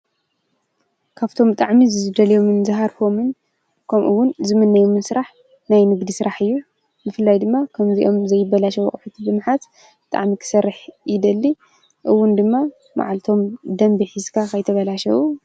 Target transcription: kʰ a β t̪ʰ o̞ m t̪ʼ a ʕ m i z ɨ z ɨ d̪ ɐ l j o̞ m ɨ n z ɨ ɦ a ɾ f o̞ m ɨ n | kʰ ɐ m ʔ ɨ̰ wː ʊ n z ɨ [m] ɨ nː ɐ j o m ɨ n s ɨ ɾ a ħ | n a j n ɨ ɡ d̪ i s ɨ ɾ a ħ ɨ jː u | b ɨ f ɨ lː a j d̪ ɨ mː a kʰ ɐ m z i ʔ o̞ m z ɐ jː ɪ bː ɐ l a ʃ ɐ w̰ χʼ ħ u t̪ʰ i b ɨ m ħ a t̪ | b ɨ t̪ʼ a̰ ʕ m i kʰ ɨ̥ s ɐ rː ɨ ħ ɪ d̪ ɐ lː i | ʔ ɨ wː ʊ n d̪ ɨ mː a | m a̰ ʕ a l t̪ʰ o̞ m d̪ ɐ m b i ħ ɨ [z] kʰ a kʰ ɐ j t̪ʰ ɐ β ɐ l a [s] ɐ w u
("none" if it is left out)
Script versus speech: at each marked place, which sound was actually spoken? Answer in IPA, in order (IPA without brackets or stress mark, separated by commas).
m, z, ʃ